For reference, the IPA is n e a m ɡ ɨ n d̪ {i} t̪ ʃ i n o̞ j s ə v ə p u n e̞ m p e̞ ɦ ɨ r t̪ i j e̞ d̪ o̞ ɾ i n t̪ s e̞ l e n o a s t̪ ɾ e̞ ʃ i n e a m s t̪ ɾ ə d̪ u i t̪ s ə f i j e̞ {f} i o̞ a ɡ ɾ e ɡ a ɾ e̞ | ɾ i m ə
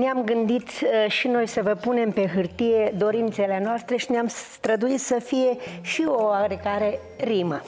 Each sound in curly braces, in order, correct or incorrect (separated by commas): correct, incorrect